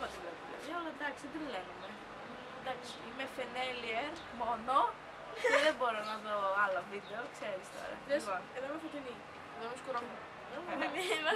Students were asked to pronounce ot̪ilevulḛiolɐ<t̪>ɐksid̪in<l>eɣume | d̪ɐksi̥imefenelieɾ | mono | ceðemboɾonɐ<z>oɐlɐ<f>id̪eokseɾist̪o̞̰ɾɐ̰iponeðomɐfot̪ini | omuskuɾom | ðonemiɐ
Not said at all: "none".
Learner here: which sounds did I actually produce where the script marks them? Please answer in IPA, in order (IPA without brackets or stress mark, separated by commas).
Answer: d̪, l, ð, v